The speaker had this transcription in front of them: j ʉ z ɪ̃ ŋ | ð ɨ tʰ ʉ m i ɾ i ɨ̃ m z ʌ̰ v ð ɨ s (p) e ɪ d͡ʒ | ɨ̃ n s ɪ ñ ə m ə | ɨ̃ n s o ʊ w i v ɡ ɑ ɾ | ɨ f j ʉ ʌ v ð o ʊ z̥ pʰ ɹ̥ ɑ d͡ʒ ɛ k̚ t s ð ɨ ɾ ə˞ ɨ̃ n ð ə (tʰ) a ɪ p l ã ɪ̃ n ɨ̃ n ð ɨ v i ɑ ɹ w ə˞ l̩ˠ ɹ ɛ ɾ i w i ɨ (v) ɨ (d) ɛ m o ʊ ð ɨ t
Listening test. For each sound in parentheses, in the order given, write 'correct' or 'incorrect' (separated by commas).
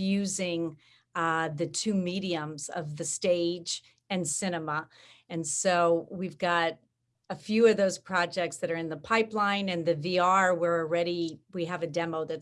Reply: incorrect, incorrect, correct, correct